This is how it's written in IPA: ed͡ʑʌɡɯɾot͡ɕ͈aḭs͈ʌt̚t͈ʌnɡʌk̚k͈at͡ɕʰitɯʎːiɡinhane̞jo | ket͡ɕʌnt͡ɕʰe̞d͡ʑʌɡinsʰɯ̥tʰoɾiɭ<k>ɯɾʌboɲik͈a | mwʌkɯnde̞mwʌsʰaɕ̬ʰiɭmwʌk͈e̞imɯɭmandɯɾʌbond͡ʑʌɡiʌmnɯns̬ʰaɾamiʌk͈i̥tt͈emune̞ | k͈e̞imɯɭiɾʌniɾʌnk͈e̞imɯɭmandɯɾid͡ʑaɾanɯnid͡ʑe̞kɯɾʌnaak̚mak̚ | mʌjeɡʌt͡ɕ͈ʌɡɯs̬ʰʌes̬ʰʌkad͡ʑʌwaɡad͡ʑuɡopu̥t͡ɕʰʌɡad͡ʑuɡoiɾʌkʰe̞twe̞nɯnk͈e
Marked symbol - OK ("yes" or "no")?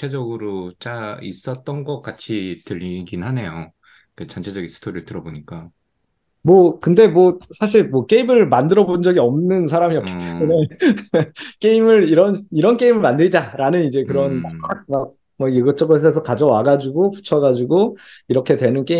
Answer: no